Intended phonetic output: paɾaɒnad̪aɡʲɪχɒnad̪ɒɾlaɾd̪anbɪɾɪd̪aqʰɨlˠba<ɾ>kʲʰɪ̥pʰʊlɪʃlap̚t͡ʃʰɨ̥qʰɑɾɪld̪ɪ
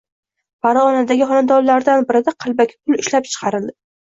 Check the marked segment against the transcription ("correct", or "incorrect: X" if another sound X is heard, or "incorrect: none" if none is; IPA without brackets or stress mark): incorrect: none